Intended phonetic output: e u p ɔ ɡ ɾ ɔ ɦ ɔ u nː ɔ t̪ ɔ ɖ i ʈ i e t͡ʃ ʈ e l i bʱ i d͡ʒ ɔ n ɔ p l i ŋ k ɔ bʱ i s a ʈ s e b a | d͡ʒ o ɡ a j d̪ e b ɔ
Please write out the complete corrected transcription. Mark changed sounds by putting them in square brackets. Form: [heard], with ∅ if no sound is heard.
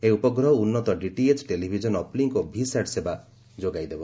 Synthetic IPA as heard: e u p ɔ ɡ ɾ ɔ ɦ ɔ u nː ɔ t̪ ɔ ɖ i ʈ i e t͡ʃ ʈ e l i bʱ i d͡ʒ ɔ n ɔ p l i ŋ k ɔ bʱ i s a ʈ s e b a | d͡ʒ o ɡ a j d̪ e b ɔ